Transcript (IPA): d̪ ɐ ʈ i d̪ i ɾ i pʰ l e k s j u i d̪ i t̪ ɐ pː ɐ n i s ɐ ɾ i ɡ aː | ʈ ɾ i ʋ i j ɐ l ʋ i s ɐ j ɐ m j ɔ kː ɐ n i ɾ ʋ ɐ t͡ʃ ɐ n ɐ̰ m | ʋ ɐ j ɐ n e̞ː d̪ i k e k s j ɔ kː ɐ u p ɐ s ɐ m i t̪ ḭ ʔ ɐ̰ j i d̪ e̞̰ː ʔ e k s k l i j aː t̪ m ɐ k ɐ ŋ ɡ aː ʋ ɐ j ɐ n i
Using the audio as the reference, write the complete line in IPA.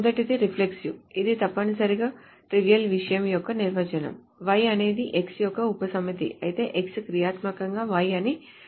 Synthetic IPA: d̪ ɐ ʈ i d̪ i ɾ i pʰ l e k s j u i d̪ i t̪ ɐ pː ɐ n i s ɐ ɾ i ɡ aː | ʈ ɾ i ʋ i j ɐ l ʋ i ʂ ɐ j ɐ m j ɔ kː ɐ n i ɾ ʋ ɐ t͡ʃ ɐ n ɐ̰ m | ʋ ɐ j ɐ n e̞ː d̪ i ʔ e k s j ɔ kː ɐ u p ɐ s ɐ m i t̪ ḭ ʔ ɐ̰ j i t̪ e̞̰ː ʔ e k s k ɾ i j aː t̪ m ɐ k ɐ ŋ ɡ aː ʋ ɐ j ɐ n i